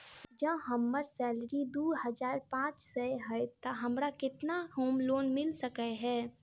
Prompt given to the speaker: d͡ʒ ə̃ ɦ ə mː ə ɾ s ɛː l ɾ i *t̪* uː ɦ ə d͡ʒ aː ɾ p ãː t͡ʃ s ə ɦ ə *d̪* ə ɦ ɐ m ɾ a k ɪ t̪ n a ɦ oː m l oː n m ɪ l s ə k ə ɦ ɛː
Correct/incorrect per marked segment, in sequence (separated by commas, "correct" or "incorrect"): incorrect, incorrect